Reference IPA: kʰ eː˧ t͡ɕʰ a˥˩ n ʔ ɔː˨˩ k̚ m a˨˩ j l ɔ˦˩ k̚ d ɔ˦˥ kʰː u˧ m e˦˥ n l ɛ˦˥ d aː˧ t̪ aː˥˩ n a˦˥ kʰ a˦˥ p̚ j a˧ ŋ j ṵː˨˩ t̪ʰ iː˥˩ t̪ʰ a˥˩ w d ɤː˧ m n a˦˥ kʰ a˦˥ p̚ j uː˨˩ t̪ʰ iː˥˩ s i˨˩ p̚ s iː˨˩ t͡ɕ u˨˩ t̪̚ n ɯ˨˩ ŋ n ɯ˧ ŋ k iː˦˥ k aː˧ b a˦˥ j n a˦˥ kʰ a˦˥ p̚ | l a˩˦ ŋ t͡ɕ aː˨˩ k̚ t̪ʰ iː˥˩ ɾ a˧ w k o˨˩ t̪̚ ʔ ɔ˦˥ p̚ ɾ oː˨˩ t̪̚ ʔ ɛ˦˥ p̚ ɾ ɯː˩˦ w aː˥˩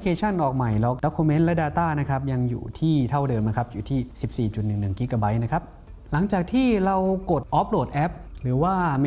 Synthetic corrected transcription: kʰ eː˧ t͡ɕʰ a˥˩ n ʔ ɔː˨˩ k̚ m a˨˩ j l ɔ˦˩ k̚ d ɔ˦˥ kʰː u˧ m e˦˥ n l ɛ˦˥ d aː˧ t̪ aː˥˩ n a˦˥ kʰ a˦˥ p̚ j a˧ ŋ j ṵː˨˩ t̪ʰ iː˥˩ t̪ʰ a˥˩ w d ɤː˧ m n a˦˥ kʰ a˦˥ p̚ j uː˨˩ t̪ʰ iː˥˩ s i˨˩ p̚ s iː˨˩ t͡ɕ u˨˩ t̪̚ n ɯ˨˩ ŋ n ɯ˨˩ ŋ k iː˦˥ k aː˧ b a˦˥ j n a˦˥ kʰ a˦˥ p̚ | l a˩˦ ŋ t͡ɕ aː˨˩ k̚ t̪ʰ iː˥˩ ɾ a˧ w k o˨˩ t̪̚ ʔ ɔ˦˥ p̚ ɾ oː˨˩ t̪̚ ʔ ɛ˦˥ p̚ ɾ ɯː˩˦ w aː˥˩

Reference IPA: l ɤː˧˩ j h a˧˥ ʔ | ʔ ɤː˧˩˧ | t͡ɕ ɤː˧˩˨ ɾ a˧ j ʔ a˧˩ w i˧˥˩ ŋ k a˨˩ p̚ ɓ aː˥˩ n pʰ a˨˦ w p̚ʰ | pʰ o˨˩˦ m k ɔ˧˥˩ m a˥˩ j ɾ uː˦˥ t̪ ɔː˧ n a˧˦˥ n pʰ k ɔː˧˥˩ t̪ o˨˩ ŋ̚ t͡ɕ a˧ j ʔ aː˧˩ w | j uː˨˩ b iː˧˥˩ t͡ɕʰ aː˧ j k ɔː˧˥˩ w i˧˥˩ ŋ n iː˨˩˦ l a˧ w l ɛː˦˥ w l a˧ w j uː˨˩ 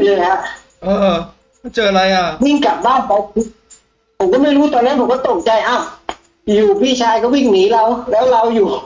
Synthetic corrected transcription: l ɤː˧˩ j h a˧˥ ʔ | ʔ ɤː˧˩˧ | t͡ɕ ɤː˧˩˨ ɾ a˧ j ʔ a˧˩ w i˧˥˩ ŋ k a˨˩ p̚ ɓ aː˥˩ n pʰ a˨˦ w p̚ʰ | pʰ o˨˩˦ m k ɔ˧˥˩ m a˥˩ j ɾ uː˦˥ t̪ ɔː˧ n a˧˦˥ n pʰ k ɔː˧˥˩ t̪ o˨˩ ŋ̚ t͡ɕ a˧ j ʔ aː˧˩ w | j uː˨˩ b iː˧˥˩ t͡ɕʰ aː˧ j k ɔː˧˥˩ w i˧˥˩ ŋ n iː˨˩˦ l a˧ w l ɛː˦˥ w l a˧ w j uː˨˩

